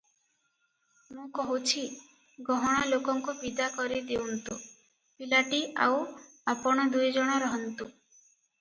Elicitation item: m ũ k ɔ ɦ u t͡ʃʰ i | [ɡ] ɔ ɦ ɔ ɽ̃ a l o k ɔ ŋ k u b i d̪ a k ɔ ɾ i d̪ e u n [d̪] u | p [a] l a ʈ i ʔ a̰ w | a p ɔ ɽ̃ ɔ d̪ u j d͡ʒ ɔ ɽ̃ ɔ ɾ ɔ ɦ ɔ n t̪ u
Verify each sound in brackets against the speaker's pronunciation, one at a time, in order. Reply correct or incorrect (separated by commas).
correct, incorrect, incorrect